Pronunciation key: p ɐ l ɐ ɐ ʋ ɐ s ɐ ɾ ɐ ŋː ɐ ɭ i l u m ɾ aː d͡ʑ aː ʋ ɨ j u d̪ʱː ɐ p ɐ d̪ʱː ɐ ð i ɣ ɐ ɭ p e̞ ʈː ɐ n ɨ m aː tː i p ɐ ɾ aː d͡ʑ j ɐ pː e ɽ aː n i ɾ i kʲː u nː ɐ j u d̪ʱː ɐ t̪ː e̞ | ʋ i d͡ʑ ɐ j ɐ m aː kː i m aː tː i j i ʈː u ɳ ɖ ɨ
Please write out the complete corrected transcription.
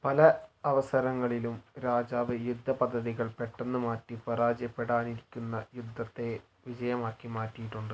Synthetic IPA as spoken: p ɐ l ɐ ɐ ʋ ɐ s ɐ ɾ ɐ ŋː ɐ ɭ i l u m ɾ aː d͡ʑ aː ʋ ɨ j u d̪ʱː ɐ p ɐ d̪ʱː ɐ ð i ɣ ɐ ɭ p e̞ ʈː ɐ nː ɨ m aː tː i p ɐ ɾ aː d͡ʑ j ɐ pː e ɽ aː n i ɾ i kʲː u nː ɐ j u d̪ʱː ɐ t̪ː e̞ | ʋ i d͡ʑ ɐ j ɐ m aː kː i m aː tː i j i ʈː u ɳ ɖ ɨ